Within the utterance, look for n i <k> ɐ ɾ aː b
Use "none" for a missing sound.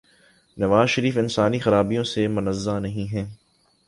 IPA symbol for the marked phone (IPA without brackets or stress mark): x